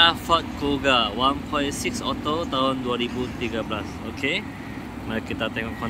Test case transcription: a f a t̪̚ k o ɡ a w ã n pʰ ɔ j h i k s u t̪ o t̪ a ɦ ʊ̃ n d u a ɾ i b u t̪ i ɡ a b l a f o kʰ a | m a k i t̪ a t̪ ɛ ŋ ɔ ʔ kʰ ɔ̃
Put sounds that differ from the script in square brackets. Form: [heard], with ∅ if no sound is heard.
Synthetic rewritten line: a f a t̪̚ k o ɡ a w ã n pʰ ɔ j [s] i k s [ɔ] t̪ o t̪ a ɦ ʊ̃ n d u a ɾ i b u t̪ i ɡ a b l a [s] o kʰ [e] | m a k i t̪ a t̪ ɛ ŋ ɔ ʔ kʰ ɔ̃